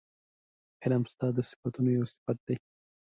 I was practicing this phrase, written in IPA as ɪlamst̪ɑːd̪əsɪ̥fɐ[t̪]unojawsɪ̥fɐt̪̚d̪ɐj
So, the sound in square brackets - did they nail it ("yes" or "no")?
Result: yes